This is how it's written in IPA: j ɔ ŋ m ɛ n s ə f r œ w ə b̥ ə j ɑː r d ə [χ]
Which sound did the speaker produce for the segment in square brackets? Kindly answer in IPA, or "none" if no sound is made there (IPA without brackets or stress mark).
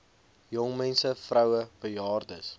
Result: s